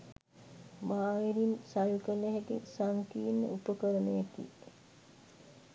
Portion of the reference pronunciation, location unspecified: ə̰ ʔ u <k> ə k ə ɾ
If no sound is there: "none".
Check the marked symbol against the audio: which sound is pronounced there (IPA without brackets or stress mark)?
p